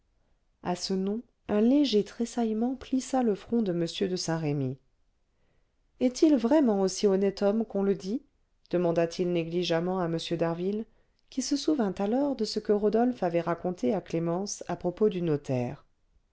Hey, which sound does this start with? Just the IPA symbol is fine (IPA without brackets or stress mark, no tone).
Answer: a